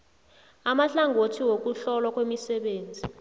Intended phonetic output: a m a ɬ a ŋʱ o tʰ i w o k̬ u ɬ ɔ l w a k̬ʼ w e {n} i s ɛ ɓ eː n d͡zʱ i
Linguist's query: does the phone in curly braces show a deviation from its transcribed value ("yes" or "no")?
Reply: yes